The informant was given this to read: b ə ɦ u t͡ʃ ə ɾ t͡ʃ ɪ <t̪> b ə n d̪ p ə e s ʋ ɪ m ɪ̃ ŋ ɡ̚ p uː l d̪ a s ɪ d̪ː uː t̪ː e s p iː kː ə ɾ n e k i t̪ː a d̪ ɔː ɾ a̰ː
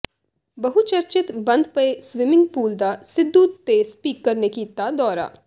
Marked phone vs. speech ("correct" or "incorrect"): correct